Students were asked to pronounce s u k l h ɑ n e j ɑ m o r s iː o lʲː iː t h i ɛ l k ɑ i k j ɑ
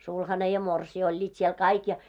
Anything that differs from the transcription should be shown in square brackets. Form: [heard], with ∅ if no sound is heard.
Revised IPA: s u [∅] l h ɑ n e j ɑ m o r s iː o lʲː iː t [s] i [e] l k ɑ i k j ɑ